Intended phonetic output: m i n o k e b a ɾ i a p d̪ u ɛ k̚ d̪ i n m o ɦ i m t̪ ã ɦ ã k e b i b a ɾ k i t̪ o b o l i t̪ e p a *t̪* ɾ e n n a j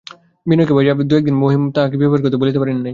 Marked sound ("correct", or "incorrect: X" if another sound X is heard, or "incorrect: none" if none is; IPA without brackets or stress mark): incorrect: none